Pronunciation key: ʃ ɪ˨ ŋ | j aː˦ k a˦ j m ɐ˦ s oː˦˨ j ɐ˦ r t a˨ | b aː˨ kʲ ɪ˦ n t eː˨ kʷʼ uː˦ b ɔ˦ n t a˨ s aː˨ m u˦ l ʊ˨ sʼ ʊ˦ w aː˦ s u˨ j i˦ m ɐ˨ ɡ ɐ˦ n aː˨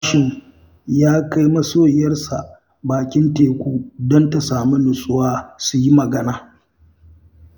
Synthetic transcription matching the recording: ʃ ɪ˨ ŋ | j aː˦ k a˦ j m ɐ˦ s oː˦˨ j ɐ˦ r s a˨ | b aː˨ kʲ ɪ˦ n t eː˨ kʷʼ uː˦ d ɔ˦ n t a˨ s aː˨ m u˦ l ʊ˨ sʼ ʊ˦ w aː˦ s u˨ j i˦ m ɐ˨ ɡ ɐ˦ n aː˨